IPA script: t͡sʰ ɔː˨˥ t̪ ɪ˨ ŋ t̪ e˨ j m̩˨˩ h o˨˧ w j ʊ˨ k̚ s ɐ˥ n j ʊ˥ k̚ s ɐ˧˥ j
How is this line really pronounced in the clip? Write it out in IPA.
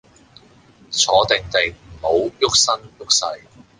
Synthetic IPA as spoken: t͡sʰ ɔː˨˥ t̪ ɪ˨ ŋ t̪ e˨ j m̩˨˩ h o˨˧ w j ʊ˥ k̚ s ɐ˥ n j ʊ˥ k̚ s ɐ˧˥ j